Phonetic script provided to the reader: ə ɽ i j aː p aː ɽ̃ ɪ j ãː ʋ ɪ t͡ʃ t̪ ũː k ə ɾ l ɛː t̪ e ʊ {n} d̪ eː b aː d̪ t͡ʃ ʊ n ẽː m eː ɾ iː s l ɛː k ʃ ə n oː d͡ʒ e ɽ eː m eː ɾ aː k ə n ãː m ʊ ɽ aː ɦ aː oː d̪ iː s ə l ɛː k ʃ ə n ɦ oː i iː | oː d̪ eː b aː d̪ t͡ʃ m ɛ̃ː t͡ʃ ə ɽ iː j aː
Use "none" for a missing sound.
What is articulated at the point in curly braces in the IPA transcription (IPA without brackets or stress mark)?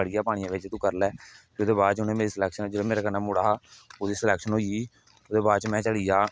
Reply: none